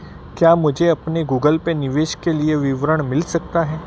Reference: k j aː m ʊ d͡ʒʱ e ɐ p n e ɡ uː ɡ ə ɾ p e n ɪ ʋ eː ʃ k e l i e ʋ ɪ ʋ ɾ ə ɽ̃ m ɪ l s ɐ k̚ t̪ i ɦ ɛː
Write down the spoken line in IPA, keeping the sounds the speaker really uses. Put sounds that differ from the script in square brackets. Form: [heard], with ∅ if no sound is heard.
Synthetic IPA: k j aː m ʊ d͡ʒʱ e ɐ p n e ɡ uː ɡ ə [l] p e n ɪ ʋ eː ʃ k e l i e ʋ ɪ ʋ ɾ ə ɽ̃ m ɪ l s ɐ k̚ t̪ [a] ɦ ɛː

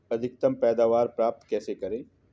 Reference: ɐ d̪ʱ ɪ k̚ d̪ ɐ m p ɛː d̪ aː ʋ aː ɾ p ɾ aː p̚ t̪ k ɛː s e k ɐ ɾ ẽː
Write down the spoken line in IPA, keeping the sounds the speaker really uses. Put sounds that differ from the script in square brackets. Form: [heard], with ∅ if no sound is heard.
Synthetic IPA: ɐ d̪ʱ ɪ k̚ [t̪] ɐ m p ɛː d̪ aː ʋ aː ɾ p ɾ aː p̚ t̪ k ɛː s e k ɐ ɾ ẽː

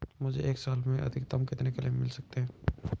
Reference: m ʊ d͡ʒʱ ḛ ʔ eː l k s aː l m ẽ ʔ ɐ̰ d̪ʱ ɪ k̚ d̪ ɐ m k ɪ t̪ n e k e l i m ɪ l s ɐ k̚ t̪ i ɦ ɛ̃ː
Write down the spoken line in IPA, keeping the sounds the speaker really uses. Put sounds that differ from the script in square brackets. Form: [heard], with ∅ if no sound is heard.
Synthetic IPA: m ʊ d͡ʒʱ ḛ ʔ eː [∅] k s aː l m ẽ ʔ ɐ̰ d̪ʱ ɪ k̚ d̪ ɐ m k ɪ t̪ n e k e l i m ɪ l s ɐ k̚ t̪ [e] ɦ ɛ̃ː

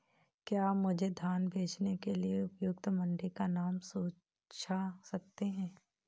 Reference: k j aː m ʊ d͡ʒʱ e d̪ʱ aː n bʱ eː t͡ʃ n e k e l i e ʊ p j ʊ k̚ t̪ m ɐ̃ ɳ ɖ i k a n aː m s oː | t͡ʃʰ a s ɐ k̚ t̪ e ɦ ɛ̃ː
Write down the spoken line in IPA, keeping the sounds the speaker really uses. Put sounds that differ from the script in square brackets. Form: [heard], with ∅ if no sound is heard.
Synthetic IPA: k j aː m ʊ d͡ʒʱ e d̪ʱ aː n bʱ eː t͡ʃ n e k e l i e ʊ p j ʊ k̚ t̪ m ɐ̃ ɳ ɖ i k a n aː m s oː | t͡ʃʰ a s ɐ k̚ t̪ e ɦ ɛ̃ː

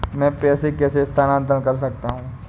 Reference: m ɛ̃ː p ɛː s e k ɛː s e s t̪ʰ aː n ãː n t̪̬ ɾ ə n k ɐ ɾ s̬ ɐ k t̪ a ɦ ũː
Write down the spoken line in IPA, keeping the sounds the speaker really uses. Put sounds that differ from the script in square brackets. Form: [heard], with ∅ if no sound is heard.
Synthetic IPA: m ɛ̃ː p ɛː s e k ɛː s e s t̪ʰ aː n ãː n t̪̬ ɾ ə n k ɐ ɾ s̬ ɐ k t̪ a ɦ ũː

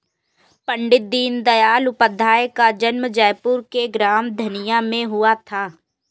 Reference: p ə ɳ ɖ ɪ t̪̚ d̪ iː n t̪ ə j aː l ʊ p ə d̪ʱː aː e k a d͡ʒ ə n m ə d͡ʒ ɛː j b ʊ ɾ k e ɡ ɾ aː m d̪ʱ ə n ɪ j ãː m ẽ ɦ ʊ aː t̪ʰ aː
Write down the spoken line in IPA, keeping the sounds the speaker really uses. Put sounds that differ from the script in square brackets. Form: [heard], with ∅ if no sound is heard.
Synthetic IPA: p ə ɳ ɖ ɪ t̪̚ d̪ iː n [d̪] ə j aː l ʊ p ə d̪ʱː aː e k a d͡ʒ ə n m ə d͡ʒ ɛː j [p] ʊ ɾ k e ɡ ɾ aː m d̪ʱ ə n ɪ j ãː m ẽ ɦ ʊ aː t̪ʰ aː

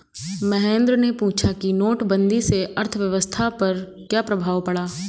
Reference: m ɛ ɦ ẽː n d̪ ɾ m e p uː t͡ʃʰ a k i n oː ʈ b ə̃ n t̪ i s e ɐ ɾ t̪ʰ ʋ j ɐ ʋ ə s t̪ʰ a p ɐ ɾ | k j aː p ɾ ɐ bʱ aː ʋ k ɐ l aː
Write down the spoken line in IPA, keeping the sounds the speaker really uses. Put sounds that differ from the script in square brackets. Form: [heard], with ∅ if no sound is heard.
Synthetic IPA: m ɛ ɦ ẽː n d̪ ɾ [n] e p uː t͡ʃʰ a k i n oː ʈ b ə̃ n [d̪] i s e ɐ ɾ t̪ʰ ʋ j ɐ ʋ ə s t̪ʰ a p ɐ ɾ | k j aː p ɾ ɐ bʱ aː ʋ [p] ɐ [ɽ] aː

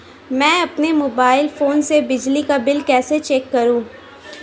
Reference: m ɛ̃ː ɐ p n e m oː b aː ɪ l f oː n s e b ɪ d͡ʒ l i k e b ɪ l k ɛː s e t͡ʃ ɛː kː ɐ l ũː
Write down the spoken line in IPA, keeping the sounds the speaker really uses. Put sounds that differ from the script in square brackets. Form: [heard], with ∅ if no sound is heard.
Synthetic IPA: m ɛ̃ː ɐ p n e m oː b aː ɪ l f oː n s e b ɪ d͡ʒ l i k [a] b ɪ l k ɛː s e t͡ʃ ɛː kː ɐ [ɾ] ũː

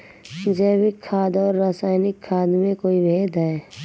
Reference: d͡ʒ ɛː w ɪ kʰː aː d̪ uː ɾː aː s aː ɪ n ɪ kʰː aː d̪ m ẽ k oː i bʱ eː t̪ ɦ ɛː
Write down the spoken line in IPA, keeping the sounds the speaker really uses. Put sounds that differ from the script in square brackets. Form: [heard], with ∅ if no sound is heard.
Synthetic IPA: d͡ʒ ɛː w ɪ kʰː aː d̪ [ɔː] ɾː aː s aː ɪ n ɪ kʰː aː d̪ m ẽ k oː i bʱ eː [d̪] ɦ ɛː

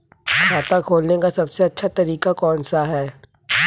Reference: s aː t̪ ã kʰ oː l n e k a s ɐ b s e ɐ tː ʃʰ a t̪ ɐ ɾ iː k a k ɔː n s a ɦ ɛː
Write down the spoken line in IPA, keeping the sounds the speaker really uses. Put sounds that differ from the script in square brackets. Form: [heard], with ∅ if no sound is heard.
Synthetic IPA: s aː t̪ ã kʰ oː l n e k a s ɐ b s e ɐ tː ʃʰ a t̪ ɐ ɾ iː k a k ɔː n s a ɦ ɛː

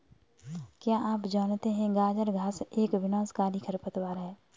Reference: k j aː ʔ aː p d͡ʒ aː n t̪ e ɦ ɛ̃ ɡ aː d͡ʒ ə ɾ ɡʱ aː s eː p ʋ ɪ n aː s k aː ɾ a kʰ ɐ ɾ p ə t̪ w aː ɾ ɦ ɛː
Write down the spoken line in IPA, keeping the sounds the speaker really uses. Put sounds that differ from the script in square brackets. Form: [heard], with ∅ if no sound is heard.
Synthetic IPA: k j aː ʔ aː p d͡ʒ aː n t̪ e ɦ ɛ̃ ɡ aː d͡ʒ ə ɾ ɡʱ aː s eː [k] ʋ ɪ n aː s k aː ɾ [i] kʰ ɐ ɾ p ə t̪ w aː ɾ ɦ ɛː

